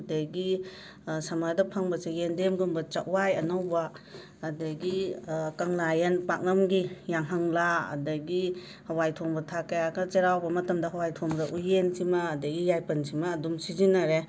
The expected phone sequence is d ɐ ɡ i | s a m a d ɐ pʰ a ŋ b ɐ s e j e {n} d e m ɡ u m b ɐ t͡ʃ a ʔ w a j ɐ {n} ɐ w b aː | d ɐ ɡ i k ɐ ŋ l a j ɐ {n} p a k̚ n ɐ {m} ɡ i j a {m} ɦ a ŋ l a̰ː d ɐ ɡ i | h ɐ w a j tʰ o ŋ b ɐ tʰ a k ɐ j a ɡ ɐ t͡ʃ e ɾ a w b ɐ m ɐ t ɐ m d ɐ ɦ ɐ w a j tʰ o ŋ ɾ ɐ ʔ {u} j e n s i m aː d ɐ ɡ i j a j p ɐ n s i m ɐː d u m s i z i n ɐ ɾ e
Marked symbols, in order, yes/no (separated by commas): yes, yes, yes, yes, no, yes